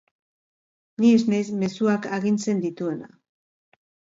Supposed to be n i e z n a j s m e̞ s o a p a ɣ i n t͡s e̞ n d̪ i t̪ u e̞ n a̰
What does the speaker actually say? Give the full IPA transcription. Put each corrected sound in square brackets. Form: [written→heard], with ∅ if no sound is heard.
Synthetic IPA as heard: n i e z n a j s m e̞ s [o→u] a [p→k] a ɣ i n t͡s e̞ n d̪ i t̪ u e̞ n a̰